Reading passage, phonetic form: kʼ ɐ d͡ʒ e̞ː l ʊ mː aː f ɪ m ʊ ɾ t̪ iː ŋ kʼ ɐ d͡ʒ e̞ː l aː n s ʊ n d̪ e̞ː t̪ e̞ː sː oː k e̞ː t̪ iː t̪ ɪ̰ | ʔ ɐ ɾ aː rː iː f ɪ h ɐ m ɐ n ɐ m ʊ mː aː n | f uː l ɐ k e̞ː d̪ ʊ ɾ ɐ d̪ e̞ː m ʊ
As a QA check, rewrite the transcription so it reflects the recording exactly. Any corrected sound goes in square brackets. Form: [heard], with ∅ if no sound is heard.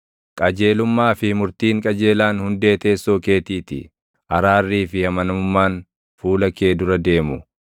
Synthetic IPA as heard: kʼ ɐ d͡ʒ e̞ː l ʊ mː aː f ɪ m ʊ ɾ t̪ iː ŋ kʼ ɐ d͡ʒ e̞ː l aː n [h] ʊ n d̪ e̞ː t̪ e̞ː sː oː k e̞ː t̪ iː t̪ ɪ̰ | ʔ ɐ ɾ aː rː iː f ɪ h ɐ m ɐ n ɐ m ʊ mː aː n | f uː l ɐ k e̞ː d̪ ʊ ɾ ɐ d̪ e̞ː m ʊ